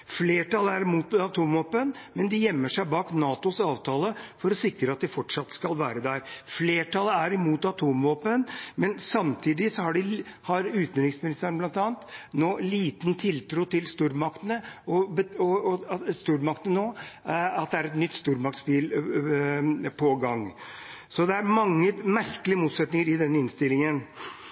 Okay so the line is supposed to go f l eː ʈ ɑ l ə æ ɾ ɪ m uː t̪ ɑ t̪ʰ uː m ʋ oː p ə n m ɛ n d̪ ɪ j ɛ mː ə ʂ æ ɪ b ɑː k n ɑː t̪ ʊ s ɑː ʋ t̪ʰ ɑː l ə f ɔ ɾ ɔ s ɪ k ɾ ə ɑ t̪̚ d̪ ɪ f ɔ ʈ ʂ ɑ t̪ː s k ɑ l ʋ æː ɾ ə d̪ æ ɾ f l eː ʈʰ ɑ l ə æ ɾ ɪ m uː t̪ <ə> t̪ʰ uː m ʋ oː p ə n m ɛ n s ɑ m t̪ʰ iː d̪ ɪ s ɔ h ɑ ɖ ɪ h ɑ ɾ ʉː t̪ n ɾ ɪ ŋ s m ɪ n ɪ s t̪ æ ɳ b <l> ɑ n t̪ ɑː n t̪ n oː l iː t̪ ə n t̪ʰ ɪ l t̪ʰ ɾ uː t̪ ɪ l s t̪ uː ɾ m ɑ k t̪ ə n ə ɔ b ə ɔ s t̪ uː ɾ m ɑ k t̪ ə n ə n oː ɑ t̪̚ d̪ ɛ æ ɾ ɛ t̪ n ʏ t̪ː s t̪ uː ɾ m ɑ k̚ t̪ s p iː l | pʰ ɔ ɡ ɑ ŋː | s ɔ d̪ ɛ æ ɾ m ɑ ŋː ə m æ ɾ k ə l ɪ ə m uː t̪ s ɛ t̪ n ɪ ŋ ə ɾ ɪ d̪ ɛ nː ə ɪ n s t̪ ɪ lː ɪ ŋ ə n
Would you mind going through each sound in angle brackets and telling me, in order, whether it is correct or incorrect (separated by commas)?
incorrect, correct